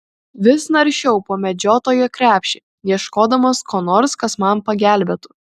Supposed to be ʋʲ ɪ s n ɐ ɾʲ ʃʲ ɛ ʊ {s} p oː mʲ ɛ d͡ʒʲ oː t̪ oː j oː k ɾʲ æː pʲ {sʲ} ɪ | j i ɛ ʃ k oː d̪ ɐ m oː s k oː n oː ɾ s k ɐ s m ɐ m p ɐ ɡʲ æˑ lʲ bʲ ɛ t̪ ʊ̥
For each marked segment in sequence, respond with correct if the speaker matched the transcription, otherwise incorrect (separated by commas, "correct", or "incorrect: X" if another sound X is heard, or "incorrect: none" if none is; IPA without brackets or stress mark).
incorrect: none, incorrect: ʃʲ